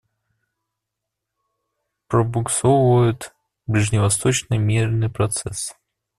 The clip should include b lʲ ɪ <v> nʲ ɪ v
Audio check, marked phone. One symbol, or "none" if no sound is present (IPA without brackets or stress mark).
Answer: ʐ